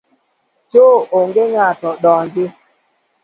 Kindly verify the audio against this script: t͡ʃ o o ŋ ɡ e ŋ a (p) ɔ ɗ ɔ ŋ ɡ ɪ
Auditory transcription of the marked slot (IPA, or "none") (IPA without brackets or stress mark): t